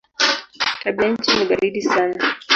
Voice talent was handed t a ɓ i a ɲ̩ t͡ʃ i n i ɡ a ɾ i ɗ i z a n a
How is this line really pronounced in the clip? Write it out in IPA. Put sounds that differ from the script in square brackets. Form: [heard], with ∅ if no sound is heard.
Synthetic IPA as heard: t a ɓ i a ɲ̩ t͡ʃ i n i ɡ a ɾ i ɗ i [s] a n a